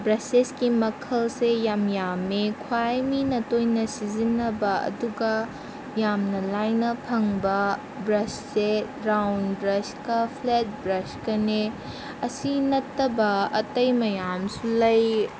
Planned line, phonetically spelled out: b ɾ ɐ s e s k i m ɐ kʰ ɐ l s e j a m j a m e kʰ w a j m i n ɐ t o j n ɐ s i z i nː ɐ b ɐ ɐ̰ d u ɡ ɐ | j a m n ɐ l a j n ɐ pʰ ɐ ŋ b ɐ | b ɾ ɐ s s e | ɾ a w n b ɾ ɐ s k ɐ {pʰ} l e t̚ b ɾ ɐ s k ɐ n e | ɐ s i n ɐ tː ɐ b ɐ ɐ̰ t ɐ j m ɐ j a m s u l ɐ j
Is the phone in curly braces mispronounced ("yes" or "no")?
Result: no